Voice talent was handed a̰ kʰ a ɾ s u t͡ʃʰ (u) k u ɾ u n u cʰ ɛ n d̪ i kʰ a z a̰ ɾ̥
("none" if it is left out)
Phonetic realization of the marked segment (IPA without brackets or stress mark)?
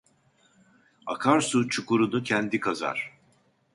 u